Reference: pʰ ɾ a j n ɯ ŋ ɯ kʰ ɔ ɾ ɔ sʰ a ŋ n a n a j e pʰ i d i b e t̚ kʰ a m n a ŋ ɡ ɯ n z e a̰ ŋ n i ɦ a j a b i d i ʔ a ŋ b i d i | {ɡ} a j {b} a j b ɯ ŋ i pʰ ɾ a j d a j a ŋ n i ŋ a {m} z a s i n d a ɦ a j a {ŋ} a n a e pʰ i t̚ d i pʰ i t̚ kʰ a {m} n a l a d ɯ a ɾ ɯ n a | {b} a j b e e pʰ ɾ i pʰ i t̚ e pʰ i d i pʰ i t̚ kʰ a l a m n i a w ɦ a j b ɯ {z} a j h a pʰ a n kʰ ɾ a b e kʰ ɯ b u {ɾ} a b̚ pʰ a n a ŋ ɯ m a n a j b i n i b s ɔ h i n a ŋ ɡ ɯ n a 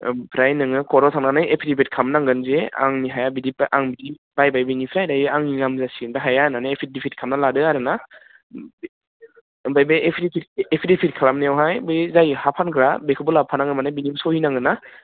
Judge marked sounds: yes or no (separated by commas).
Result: no, yes, yes, no, yes, yes, yes, no